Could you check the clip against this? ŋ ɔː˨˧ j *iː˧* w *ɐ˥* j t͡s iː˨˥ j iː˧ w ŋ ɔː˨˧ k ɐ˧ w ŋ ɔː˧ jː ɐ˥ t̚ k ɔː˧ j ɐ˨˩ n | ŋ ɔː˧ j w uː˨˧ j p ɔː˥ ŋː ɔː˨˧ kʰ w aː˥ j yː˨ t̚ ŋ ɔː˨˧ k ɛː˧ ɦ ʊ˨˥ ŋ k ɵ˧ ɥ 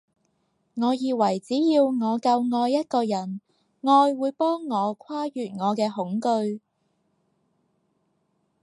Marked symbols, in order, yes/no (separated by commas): yes, no